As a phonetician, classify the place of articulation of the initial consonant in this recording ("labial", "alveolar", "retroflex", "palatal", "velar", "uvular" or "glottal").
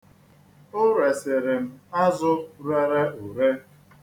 alveolar